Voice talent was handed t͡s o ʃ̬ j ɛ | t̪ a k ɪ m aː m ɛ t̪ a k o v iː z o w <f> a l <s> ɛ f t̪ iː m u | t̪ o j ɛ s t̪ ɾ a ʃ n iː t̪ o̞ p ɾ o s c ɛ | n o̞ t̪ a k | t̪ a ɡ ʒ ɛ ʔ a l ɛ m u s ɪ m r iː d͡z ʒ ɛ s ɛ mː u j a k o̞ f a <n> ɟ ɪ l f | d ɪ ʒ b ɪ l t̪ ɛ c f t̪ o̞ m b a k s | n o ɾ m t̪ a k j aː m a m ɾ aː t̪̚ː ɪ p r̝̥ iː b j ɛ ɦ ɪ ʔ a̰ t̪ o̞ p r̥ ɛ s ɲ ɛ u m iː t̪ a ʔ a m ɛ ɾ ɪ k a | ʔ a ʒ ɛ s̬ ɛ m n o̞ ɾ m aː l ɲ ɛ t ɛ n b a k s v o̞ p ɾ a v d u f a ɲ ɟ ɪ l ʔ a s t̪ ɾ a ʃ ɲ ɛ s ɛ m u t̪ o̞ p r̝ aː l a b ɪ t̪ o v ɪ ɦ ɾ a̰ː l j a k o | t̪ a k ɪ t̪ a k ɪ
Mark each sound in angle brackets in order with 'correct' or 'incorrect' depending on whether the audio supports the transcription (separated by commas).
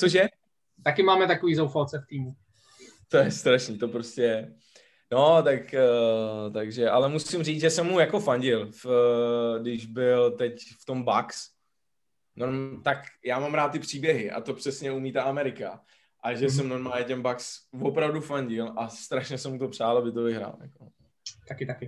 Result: correct, incorrect, incorrect